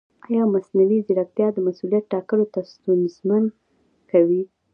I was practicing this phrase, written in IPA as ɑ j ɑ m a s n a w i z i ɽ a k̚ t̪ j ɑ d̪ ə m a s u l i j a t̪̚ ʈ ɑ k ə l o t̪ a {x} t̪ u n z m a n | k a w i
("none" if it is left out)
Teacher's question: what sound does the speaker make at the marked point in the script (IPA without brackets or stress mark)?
s